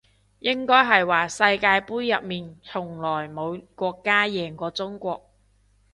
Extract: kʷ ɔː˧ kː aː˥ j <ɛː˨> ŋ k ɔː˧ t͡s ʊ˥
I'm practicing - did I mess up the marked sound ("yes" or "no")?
no